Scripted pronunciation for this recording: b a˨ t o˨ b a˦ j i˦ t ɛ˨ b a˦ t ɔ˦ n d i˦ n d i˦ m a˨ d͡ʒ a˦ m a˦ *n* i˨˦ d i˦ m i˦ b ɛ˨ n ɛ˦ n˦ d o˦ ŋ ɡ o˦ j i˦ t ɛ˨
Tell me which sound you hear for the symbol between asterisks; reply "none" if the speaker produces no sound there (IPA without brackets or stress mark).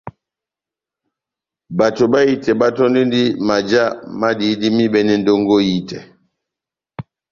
d